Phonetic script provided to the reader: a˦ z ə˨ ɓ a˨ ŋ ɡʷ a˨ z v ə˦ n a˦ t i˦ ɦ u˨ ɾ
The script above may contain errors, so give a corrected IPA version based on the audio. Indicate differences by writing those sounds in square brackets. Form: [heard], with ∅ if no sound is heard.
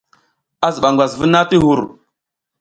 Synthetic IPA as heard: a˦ z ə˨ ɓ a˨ ŋ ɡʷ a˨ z v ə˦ n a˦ t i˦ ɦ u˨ ɾ

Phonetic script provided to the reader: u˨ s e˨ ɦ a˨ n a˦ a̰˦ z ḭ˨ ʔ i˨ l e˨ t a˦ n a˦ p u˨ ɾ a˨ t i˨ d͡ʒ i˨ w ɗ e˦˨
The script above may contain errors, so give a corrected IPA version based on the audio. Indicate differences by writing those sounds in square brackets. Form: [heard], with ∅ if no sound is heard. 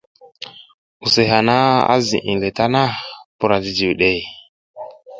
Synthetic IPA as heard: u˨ s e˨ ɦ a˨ n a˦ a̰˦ z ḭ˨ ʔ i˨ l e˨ t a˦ n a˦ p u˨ ɾ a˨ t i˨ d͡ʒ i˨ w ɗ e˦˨

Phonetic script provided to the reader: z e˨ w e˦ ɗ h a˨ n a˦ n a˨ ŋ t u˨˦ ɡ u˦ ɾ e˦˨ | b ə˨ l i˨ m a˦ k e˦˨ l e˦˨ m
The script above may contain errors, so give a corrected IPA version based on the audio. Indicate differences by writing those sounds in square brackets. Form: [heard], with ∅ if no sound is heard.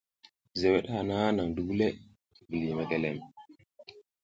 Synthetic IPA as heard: z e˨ w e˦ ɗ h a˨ n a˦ n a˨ ŋ [d] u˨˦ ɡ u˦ [l] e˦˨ | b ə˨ l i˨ m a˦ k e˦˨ l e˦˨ m

